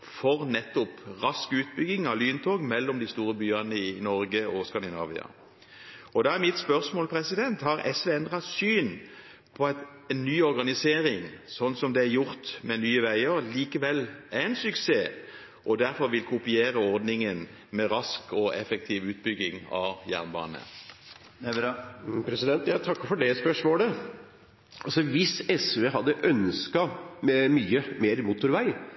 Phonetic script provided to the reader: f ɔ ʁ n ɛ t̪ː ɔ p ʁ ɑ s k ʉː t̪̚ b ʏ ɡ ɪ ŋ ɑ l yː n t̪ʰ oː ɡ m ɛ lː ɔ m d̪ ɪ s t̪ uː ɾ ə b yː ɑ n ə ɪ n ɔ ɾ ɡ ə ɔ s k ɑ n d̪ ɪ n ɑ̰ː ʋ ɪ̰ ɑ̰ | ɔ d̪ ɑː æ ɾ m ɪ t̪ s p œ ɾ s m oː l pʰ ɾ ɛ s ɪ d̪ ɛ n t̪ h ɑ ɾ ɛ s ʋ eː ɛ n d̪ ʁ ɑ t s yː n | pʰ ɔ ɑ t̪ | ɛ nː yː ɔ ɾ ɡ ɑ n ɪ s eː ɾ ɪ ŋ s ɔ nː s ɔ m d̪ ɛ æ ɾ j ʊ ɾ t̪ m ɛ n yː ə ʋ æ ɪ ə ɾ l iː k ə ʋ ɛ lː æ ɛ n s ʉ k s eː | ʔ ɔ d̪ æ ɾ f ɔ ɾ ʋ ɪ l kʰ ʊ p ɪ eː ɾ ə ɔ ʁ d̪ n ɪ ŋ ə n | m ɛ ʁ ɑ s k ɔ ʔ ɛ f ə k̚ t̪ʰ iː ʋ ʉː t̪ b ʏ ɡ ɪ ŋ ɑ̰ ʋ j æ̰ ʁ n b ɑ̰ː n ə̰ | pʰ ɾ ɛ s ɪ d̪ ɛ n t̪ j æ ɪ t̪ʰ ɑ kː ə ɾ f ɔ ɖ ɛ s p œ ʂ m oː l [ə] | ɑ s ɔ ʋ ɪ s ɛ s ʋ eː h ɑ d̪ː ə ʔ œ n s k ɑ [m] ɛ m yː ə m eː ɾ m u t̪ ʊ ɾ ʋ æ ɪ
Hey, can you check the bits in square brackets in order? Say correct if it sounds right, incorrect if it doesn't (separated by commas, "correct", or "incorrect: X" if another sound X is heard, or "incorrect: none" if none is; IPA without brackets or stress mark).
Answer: correct, correct